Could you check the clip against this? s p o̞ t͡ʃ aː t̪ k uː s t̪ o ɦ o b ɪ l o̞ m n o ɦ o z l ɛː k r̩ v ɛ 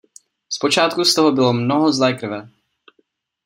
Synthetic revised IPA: s p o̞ t͡ʃ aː t̪ k u s t̪ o ɦ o b ɪ l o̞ m n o ɦ o z l ɛː k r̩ v ɛ